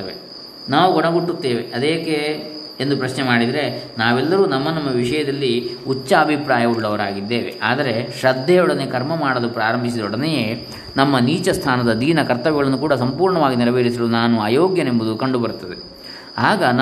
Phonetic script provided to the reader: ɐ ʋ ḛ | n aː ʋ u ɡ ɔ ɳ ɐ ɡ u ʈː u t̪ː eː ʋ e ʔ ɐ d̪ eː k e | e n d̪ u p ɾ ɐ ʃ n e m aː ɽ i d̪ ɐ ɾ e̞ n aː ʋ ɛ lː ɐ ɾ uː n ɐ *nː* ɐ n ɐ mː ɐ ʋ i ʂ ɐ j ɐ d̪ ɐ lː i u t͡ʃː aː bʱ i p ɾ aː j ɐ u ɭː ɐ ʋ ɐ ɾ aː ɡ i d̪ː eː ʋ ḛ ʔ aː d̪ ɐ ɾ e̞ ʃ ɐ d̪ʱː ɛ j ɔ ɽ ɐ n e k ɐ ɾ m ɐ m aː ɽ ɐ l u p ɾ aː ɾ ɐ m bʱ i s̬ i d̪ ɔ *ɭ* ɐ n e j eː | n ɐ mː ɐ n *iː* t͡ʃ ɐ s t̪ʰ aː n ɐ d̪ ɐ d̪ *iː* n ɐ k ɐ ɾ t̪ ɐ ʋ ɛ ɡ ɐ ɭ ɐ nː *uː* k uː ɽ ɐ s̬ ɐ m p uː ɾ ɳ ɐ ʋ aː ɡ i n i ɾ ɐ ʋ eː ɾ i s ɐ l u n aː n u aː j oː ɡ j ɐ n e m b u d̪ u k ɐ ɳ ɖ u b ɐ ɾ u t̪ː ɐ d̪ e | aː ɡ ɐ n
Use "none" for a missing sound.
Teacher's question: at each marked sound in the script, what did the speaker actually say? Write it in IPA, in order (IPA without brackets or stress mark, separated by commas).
mː, ɽ, iː, iː, u